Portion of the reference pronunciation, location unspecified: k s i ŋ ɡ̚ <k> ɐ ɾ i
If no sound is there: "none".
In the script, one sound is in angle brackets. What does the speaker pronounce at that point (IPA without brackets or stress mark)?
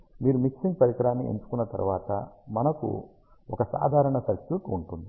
p